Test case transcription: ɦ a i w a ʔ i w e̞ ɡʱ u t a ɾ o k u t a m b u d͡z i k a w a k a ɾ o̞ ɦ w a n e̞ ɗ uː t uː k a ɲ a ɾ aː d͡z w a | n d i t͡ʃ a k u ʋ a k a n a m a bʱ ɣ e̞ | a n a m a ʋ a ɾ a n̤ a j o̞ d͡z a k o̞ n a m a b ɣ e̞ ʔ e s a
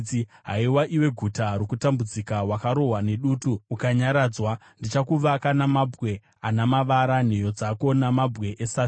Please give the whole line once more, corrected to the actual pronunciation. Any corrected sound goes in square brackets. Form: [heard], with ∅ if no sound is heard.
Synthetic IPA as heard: ɦ a i w a ʔ i w e̞ ɡʱ u t a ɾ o k u t a m b u d͡z i k a w a k a ɾ o̞ ɦ w a n e̞ ɗ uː t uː k a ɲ a ɾ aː d͡z w a | n d i t͡ʃ a k u ʋ a k a n a m a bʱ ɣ e̞ | a n a m a ʋ a ɾ a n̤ [e] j o̞ d͡z a k o̞ n a m a b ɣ e̞ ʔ e s a